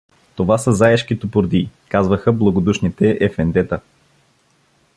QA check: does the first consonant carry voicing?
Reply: no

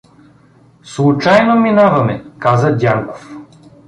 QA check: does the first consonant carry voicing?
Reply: no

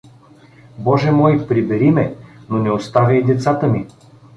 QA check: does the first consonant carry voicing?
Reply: yes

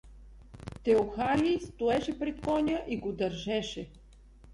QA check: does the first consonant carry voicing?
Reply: no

